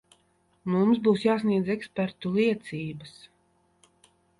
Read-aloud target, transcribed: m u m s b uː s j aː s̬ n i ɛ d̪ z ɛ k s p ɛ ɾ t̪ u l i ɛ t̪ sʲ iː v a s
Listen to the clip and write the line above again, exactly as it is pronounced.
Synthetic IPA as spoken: m u m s b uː s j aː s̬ n i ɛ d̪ z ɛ k s p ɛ ɾ t̪ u l i ɛ t̪ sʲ iː b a s